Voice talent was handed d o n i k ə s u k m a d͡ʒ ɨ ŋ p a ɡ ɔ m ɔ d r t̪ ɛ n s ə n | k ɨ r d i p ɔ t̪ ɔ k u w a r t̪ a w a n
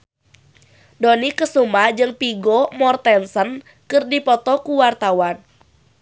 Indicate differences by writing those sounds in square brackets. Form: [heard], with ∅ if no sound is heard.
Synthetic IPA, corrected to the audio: d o n i k ə s u [∅] m a d͡ʒ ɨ ŋ p [i] ɡ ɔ m ɔ [∅] r t̪ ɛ n s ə n | k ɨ r d i p ɔ t̪ ɔ k u w a r t̪ a w a n